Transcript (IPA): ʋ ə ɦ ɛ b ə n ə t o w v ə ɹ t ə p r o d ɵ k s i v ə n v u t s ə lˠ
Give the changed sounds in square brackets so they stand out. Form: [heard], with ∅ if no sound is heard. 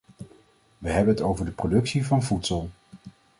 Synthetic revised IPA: ʋ ə ɦ ɛ b ə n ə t o w v ə ɹ [d] ə p r o d ɵ k s i v [ɑ] n v u t s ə lˠ